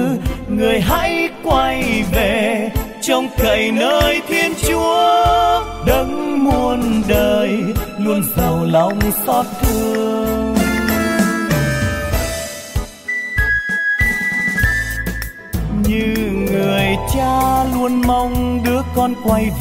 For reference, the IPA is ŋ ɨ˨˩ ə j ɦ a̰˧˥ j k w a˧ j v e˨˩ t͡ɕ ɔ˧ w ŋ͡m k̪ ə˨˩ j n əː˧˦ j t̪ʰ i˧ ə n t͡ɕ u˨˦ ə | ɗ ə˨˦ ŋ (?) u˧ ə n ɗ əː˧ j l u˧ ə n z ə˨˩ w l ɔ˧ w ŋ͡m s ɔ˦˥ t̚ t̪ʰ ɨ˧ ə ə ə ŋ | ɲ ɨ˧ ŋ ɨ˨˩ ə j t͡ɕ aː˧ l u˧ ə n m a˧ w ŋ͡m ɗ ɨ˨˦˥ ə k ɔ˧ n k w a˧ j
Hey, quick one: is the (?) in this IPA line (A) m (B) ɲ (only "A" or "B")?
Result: A